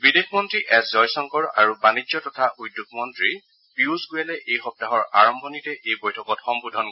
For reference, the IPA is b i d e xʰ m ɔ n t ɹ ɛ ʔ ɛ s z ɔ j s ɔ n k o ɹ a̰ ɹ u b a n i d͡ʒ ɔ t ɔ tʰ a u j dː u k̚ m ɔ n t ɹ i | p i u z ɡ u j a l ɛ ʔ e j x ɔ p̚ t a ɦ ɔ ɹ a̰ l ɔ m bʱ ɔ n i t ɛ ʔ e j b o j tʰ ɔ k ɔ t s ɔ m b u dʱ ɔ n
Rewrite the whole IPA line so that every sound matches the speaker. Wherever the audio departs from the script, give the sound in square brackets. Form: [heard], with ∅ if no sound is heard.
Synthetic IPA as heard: b i d e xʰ m ɔ n t ɹ [i] ʔ ɛ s z ɔ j s ɔ [ŋ] k [ɔ] ɹ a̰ ɹ u b a n i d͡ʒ ɔ t ɔ tʰ a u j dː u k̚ m ɔ n t ɹ i | p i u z ɡ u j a l ɛ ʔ e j x ɔ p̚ t a ɦ ɔ ɹ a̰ [ɹ] ɔ m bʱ ɔ n i t ɛ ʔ e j b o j tʰ ɔ k ɔ t [x] ɔ m b u dʱ ɔ n